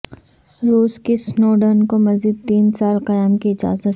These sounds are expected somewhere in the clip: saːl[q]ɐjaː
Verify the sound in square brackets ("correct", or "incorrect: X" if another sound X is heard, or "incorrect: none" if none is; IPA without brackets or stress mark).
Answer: correct